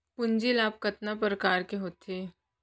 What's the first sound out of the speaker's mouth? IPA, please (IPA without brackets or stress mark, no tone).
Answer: p